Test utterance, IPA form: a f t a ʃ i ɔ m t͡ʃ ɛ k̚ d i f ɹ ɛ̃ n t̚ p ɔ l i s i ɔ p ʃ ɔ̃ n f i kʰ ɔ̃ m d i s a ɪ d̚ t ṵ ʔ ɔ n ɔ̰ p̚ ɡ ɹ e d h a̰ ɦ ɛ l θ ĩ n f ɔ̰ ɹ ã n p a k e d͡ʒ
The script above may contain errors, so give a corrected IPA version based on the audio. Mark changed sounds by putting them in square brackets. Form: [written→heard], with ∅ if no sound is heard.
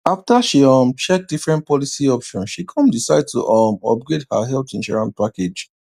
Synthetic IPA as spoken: a f t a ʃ i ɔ m t͡ʃ ɛ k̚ d i f ɹ ɛ̃ n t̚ p ɔ l i s i ɔ p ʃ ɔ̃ n [f→ʃ] i kʰ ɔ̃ m d i s a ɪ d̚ t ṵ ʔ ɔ [n→m] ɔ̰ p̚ ɡ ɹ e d h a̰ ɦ ɛ l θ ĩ n [f→ʃ] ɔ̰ ɹ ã n p a k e d͡ʒ